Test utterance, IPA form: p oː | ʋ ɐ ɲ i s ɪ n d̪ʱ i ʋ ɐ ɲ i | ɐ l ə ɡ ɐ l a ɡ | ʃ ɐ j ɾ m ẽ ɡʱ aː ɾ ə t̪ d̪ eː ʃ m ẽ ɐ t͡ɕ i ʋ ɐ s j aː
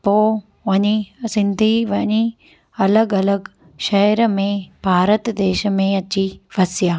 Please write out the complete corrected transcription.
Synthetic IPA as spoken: p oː | ʋ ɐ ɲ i s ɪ n d̪ʱ i ʋ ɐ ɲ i | ɐ l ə ɡ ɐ l ə ɡ | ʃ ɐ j ɾ m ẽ bʱ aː ɾ ə t̪ d̪ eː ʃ m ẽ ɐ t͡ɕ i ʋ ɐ s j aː